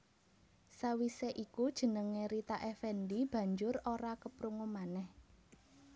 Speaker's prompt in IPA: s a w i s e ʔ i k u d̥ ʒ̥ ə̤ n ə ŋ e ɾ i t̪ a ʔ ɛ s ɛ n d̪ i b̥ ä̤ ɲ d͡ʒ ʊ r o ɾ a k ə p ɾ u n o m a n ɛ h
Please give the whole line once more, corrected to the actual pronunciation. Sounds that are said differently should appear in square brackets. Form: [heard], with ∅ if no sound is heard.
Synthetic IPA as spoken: s a w i s e ʔ i k u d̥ ʒ̥ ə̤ n ə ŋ e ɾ i t̪ a ʔ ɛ [f] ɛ n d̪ i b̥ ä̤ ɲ d͡ʒ ʊ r o ɾ a k ə p ɾ u [ŋ] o m a n ɛ h